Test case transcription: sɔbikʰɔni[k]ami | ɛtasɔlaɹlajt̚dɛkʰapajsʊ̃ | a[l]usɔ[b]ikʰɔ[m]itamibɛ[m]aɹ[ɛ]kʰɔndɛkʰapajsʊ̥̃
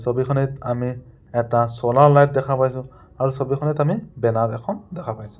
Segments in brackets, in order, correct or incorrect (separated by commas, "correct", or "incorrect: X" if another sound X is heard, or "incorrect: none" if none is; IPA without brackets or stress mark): incorrect: t, incorrect: ɹ, correct, incorrect: n, incorrect: n, correct